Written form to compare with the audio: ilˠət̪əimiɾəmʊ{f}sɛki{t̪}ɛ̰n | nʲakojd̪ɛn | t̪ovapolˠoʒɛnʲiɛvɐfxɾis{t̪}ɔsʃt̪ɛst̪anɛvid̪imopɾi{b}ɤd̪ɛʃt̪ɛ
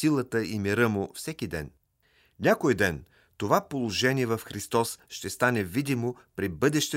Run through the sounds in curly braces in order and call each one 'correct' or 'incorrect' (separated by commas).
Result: correct, incorrect, correct, correct